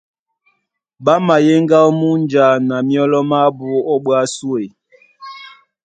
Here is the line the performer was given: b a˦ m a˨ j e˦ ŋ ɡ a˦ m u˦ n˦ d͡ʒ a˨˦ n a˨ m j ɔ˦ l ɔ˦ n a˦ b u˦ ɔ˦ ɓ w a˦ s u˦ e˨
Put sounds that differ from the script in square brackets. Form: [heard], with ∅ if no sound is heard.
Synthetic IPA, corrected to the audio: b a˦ m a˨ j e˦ ŋ ɡ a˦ m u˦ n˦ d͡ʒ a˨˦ n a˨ m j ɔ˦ l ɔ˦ [m] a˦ b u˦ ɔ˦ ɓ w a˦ s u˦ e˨